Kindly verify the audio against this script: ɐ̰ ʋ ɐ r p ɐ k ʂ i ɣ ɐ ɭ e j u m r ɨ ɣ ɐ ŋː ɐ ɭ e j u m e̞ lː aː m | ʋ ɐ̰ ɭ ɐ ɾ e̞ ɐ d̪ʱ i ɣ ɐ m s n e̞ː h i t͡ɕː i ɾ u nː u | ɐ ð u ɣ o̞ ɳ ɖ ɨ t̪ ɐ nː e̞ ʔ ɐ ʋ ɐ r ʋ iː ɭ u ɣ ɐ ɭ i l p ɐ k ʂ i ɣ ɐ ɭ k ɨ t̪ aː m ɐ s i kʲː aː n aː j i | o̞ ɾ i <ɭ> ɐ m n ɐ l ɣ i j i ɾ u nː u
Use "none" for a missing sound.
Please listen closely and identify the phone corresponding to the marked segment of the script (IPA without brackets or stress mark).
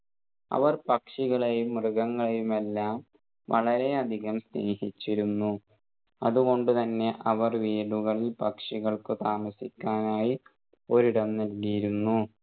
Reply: ɽ